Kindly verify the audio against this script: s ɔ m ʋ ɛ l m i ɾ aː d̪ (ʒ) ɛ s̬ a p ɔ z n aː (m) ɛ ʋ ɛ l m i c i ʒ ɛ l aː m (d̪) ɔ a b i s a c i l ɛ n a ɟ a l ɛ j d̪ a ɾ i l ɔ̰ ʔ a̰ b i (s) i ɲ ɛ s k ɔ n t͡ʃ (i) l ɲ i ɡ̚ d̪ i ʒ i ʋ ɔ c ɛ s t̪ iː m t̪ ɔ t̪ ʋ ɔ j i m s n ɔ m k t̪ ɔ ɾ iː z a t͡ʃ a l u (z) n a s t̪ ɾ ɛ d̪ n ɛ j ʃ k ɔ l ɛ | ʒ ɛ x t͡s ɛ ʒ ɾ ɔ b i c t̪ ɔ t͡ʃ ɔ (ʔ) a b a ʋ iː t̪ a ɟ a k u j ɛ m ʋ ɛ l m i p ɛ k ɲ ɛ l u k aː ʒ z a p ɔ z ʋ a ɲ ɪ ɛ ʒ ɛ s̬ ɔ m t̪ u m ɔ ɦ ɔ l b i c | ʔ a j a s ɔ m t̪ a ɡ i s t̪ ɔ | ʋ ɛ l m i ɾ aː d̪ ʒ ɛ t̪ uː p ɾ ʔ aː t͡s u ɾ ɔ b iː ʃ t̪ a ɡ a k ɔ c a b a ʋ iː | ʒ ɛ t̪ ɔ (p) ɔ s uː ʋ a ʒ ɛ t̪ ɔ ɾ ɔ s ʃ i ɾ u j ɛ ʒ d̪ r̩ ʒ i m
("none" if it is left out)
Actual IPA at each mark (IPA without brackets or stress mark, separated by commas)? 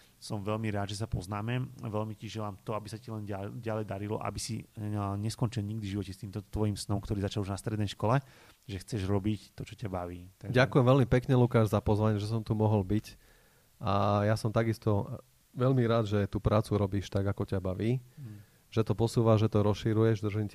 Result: ʒ, m, t̪, s, i, ʒ, c, p